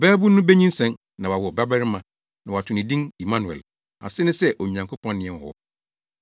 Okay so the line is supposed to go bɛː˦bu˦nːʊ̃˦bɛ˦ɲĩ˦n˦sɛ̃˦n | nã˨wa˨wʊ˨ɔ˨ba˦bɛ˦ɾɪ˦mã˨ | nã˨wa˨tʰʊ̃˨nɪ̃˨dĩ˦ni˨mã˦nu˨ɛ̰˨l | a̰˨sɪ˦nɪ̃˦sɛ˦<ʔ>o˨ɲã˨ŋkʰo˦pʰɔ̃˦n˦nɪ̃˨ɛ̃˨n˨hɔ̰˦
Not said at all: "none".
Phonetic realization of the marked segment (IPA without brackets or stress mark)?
ʔ